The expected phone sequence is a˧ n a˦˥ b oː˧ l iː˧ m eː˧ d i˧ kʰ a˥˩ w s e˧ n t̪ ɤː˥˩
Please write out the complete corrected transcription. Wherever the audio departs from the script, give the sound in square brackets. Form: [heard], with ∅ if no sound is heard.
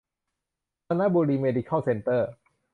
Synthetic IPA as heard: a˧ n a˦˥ b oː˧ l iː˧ m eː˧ d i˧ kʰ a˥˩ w s e˧ n t̪ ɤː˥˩